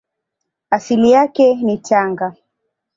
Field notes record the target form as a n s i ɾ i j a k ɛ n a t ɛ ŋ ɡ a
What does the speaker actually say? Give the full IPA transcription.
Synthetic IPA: a s i l i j a k ɛ n i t a ŋ ɡ a

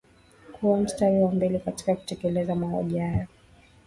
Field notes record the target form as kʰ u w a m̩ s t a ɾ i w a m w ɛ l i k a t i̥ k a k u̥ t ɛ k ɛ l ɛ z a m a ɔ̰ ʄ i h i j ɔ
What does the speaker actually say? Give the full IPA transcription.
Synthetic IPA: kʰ u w a m̩ s t a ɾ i w a m b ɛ l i k a t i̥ k a k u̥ t ɛ k ɛ l ɛ z a m a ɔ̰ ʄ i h a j ɔ

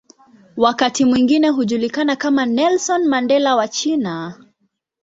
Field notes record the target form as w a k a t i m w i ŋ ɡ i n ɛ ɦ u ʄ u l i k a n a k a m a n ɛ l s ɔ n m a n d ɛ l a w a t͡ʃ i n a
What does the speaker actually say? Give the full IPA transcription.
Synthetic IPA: w a k a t i m w i ŋ ɡ i n ɛ ɦ u ʄ u l i k a n a k a m a n ɛ l s ɔ n m a n d ɛ l a w a t͡ʃ i n a

